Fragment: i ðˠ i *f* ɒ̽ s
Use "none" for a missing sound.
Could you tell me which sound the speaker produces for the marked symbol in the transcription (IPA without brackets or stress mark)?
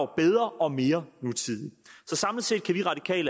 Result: s